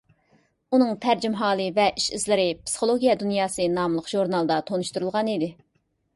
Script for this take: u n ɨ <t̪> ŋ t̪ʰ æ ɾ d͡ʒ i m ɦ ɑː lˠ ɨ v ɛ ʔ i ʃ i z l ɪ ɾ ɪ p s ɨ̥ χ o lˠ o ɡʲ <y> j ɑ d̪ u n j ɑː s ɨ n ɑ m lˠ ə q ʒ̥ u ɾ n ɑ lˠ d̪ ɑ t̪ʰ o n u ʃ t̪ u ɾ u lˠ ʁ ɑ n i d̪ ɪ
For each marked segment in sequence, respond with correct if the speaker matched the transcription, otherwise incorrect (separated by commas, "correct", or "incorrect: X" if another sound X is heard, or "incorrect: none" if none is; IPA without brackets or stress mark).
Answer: incorrect: none, incorrect: i